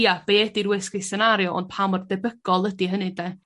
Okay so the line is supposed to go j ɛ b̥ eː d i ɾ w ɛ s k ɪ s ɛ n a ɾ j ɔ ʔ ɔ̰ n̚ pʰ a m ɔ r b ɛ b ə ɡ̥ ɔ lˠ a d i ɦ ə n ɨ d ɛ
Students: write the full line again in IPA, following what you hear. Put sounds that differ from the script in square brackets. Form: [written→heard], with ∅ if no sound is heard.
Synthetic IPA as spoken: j [ɛ→a] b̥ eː d i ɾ w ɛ s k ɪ s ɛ n a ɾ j ɔ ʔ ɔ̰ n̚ pʰ a m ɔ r [b→d] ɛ b ə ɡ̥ ɔ lˠ [a→ə] d i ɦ ə n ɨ d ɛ

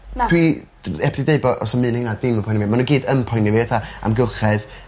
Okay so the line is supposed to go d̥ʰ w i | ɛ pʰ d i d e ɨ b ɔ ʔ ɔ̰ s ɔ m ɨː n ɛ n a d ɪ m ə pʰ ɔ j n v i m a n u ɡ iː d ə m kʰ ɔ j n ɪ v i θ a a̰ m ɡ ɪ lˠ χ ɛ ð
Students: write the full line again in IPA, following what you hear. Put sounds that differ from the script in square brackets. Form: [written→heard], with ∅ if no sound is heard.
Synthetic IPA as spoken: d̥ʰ w i | ɛ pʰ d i d e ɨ b ɔ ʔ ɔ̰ s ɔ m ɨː n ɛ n a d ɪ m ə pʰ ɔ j n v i m a n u ɡ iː d ə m [kʰ→pʰ] ɔ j n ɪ v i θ a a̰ m ɡ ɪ lˠ χ ɛ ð

